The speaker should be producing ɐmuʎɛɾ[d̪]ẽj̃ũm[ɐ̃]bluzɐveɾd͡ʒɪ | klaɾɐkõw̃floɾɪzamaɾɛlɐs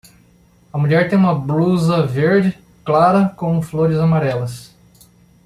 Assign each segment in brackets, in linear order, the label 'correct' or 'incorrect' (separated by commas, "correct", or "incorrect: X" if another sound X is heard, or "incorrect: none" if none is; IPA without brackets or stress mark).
incorrect: t̪, incorrect: ɐ